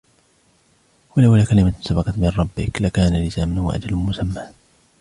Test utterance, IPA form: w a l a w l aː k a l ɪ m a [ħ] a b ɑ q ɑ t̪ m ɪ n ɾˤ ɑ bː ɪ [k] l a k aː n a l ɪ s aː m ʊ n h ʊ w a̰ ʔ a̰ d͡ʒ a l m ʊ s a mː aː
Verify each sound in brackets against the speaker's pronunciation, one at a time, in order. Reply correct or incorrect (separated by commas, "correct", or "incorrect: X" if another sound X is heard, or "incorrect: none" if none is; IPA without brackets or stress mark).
incorrect: s, correct